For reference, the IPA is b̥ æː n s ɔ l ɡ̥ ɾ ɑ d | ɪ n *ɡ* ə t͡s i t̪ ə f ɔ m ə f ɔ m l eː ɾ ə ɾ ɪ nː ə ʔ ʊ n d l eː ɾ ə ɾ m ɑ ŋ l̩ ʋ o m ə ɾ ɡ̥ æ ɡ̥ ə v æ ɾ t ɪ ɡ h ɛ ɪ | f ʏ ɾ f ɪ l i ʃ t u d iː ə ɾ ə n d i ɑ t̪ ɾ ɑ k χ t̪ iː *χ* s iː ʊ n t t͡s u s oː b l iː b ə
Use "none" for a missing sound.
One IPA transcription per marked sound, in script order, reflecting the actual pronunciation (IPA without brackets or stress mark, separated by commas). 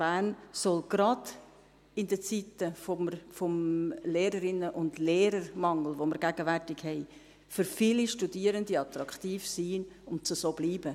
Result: d, f